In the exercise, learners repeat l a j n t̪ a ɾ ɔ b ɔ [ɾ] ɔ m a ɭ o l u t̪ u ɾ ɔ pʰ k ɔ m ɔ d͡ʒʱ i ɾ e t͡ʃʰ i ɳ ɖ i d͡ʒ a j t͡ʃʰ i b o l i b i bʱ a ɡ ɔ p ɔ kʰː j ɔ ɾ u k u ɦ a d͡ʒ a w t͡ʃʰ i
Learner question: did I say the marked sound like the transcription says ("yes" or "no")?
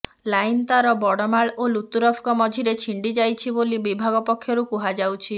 no